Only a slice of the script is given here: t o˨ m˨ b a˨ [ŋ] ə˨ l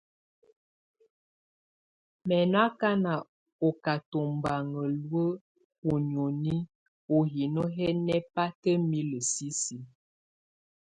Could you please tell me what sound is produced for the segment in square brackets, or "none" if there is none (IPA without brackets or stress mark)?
ŋ